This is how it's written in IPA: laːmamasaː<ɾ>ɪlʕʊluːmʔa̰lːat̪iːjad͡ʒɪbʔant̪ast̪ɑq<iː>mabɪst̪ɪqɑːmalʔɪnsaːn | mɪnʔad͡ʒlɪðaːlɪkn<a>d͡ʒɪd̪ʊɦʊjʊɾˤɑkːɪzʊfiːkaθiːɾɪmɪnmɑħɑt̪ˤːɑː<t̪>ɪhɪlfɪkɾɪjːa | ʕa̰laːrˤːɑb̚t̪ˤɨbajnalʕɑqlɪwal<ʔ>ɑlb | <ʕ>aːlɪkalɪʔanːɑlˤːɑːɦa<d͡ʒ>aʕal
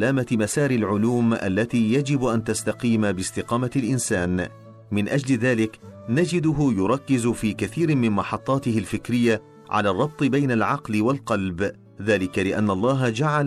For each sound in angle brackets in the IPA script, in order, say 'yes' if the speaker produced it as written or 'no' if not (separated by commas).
yes, yes, yes, yes, no, no, yes